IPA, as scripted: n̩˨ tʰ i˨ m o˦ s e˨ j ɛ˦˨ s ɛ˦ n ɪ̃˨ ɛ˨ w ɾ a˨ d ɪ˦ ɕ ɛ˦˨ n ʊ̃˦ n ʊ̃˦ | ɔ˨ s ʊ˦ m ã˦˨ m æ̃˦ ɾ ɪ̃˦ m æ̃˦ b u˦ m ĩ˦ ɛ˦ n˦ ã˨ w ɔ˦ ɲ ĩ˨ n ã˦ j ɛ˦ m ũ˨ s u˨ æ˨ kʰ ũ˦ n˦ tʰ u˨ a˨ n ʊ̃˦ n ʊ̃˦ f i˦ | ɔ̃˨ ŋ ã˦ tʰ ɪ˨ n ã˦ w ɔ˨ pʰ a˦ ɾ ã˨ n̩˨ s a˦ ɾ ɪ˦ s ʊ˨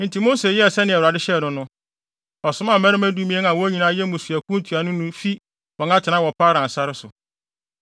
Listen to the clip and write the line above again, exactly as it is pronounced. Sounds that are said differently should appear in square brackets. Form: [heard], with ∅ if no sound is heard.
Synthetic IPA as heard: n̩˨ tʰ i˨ m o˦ s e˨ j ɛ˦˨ s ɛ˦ n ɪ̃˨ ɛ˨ w ɾ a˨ d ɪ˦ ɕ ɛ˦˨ n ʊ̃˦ n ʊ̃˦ | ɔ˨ s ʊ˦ m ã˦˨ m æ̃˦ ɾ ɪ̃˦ m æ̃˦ [d] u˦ m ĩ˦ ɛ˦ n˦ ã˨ w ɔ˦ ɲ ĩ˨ n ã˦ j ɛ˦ m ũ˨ s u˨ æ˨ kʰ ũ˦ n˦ tʰ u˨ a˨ n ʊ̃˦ n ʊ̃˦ f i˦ | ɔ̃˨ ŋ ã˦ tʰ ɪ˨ n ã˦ w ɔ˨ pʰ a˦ ɾ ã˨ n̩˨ s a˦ ɾ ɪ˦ s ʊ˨